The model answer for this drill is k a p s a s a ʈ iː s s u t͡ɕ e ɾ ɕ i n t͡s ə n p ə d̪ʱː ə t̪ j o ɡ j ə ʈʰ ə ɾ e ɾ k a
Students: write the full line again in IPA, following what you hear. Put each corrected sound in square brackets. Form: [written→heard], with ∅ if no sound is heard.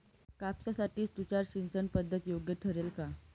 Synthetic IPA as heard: k a p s a s a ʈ iː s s u t͡ɕ [e→a] ɾ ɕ i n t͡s ə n p ə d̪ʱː ə t̪ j o ɡ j ə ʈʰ ə ɾ e [ɾ→l] k a